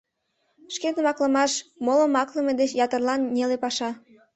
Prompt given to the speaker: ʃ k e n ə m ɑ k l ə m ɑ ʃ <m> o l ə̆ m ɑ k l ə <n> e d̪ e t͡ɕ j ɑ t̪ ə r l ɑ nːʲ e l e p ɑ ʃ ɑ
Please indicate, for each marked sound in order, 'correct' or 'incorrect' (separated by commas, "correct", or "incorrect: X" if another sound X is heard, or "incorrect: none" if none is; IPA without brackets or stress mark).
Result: correct, incorrect: m